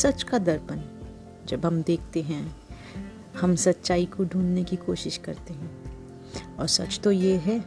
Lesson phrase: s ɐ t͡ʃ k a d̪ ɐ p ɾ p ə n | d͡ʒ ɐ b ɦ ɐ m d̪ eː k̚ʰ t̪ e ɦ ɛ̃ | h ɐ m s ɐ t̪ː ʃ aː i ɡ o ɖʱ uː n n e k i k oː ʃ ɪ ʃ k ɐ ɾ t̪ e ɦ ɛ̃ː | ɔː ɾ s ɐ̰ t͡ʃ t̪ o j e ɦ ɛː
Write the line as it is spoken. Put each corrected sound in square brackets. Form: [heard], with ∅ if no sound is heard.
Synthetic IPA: s ɐ t͡ʃ k a d̪ ɐ [∅] ɾ p ə n | d͡ʒ ɐ b ɦ ɐ m d̪ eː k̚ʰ t̪ e ɦ ɛ̃ | h ɐ m s ɐ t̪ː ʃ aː i [k] o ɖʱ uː n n e k i k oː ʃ ɪ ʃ k ɐ ɾ t̪ e ɦ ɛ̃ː | ɔː ɾ s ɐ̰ t͡ʃ t̪ o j e ɦ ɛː